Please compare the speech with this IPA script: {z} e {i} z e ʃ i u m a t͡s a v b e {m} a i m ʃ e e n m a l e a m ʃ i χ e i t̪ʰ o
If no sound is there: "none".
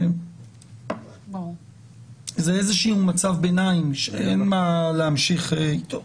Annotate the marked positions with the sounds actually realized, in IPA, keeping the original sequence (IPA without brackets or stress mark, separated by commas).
z, e, n